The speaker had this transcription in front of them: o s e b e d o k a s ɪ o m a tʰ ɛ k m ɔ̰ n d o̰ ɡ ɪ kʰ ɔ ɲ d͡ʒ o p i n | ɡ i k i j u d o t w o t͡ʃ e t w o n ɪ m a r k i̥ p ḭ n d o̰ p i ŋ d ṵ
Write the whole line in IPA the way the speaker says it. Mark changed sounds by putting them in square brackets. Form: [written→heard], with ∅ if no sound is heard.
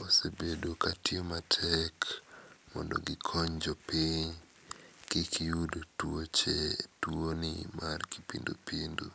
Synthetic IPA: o s e b e d o k a [s→t] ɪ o m a tʰ ɛ k m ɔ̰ n d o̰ ɡ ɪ kʰ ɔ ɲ d͡ʒ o p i [n→ɲ] | [ɡ→k] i k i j u d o t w o t͡ʃ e t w o n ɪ m a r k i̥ p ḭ n d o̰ p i [ŋ→n] d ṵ